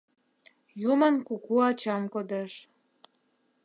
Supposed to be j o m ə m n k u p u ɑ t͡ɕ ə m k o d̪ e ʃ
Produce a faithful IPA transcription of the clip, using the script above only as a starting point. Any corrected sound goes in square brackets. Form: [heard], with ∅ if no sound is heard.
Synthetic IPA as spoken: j [u] m ə [∅] n k u [k] u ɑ t͡ɕ [ɑ] m k o d̪ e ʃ